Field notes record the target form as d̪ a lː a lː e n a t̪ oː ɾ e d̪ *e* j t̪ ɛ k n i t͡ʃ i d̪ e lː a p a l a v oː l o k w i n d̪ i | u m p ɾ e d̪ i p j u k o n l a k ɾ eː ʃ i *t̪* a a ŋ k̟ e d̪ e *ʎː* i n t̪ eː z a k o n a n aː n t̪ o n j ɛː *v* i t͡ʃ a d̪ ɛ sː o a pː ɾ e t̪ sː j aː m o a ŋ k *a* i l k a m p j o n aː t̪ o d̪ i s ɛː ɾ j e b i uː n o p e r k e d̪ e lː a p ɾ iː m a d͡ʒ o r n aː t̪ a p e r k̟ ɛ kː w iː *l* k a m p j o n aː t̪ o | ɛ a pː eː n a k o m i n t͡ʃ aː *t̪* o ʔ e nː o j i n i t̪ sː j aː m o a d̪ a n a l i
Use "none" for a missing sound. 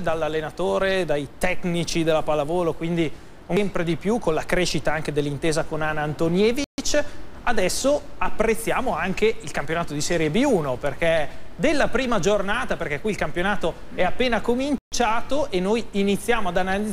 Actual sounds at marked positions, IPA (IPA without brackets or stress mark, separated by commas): a, t̪, lː, v, e, l, t̪